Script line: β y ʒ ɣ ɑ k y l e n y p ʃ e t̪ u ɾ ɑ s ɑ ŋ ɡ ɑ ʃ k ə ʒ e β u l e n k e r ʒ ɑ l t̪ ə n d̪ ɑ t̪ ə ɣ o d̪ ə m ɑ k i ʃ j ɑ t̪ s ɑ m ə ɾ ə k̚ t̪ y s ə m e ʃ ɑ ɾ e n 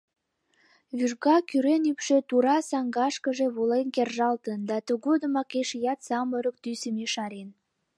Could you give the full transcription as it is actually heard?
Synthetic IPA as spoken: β y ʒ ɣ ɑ k y ɾ e n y p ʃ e t̪ u ɾ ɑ s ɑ ŋ ɡ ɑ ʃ k ə ʒ e β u l e n k e r ʒ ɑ l t̪ ə n d̪ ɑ t̪ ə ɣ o d̪ ə m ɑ k e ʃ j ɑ t̪ s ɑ m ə ɾ ə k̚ t̪ y s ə m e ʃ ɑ ɾ e n